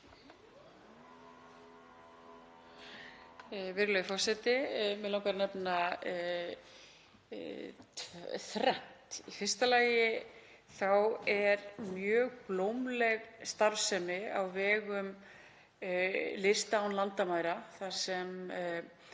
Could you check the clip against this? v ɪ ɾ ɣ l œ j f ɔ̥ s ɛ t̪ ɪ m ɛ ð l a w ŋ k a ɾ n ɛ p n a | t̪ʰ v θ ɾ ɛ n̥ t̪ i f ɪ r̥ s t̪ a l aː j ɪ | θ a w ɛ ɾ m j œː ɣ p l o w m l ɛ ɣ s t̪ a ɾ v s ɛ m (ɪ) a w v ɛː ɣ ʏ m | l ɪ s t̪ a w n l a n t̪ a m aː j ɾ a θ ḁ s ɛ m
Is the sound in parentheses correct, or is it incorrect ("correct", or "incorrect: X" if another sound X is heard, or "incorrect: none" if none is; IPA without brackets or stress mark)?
correct